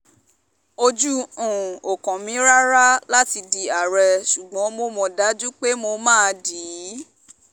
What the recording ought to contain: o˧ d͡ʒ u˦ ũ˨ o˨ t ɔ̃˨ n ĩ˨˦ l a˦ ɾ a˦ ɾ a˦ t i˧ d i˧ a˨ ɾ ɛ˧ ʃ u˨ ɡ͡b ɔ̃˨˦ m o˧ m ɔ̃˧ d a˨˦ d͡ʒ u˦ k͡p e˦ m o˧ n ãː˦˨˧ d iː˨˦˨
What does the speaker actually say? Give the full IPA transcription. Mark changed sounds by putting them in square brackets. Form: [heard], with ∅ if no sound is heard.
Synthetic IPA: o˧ d͡ʒ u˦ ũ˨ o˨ [k] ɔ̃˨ [m] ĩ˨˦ [ɾ] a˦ ɾ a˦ [l] a˦ t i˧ d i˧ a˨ ɾ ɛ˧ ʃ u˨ ɡ͡b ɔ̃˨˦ m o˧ m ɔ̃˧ d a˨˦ d͡ʒ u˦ k͡p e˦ m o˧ [m] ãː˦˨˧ d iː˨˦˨